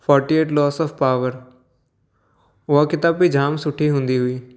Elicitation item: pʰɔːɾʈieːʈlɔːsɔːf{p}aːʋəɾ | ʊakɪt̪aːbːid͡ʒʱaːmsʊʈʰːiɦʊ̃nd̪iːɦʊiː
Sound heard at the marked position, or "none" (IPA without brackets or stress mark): p